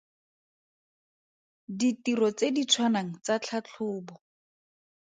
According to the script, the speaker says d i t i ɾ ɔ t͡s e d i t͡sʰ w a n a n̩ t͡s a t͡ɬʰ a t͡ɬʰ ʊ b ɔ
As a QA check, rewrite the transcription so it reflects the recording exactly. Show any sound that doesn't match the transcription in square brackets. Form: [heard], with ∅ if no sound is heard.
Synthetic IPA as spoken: d i t i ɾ ɔ t͡s e d i t͡sʰ w a n a [ŋ̩] t͡s a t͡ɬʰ a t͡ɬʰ [ʊː] b ɔ